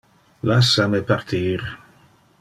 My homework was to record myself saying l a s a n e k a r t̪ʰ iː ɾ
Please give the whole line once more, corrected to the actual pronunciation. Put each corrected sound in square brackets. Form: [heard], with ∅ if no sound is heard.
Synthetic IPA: l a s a [m] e [p] a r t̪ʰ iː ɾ